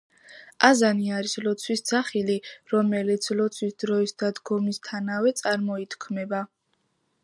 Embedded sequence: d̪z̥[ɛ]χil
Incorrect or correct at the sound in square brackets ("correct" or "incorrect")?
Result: incorrect